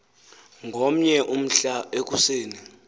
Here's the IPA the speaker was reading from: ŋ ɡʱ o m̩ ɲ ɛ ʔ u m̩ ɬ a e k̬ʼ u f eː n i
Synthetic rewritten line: ŋ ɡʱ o m̩ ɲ ɛ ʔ u m̩ ɬ a e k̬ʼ u s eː n i

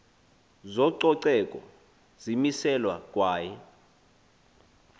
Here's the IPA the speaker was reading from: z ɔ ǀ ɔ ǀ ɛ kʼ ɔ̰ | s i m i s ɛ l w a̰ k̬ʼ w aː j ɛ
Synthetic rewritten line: z ɔ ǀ ɔ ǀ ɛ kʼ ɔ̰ | z i m i s ɛ l w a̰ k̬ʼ w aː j ɛ

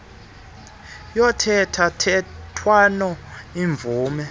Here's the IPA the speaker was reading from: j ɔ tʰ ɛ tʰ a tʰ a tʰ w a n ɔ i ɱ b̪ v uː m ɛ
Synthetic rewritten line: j ɔ tʰ ɛ tʰ a tʰ ɛ tʰ w a n ɔ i ɱ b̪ v uː m ɛ

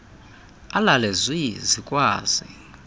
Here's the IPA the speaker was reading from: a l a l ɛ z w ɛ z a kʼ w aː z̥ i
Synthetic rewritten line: a l a l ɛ z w i z i kʼ w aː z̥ i

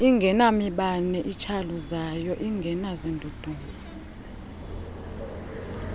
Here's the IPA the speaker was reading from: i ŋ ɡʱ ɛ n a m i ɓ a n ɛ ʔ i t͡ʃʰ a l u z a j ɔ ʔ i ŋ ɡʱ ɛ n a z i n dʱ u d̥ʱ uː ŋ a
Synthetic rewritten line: i ŋ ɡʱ ɛ n a m i ɓ a n ɛ ʔ i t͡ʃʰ a l u z a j ɔ ʔ i ŋ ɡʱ ɛ n a z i n dʱ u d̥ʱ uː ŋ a

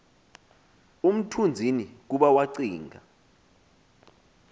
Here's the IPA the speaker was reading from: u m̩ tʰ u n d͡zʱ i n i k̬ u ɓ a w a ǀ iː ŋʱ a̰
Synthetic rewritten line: u m̩ tʰ u n d͡zʱ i n i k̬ u ɓ a w a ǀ iː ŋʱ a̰

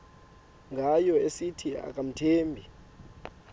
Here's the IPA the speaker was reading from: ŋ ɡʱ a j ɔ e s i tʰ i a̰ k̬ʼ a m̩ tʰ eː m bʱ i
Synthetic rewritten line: ŋ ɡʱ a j ɔ e s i tʰ i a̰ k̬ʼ a m̩ tʰ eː m bʱ i

